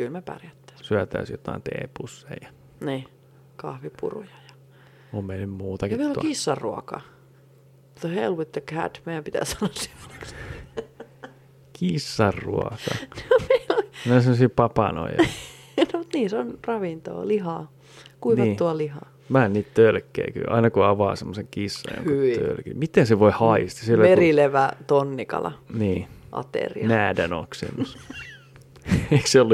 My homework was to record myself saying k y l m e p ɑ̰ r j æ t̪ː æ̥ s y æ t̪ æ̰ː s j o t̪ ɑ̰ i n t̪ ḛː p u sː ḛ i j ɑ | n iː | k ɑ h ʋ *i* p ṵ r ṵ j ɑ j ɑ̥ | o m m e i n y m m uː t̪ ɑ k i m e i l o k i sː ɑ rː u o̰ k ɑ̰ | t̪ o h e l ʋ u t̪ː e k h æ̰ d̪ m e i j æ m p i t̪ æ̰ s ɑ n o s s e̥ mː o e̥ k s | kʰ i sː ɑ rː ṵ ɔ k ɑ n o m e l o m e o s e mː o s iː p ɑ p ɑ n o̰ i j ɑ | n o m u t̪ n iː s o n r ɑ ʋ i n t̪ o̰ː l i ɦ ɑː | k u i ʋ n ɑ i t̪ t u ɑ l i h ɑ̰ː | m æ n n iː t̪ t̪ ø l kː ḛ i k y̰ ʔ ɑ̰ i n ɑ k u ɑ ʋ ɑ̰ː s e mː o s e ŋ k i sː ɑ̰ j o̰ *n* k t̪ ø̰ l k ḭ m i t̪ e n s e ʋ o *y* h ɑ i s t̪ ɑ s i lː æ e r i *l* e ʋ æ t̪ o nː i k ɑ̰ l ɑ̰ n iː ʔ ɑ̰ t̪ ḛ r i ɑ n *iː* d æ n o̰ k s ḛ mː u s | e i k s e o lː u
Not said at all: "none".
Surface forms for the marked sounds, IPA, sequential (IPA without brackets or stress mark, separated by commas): i, ŋ, i, l, æː